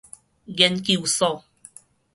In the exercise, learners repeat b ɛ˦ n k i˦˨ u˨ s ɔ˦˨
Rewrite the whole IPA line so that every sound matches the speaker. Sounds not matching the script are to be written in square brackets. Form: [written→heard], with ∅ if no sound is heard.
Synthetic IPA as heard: [b→ɡ] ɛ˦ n k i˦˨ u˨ s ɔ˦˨